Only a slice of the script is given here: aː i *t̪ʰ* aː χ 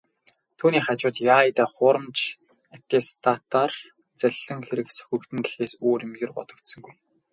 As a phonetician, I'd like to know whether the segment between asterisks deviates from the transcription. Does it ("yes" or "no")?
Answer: yes